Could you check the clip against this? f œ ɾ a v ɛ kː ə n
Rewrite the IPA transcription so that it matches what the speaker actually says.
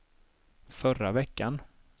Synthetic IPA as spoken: f œ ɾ a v ɛ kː a n